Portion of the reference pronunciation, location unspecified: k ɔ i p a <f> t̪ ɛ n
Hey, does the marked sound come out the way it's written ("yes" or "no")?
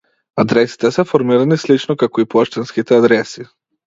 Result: no